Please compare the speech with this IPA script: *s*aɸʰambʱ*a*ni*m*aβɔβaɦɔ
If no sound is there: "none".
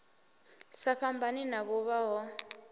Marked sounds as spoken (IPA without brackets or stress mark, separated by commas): s, a, n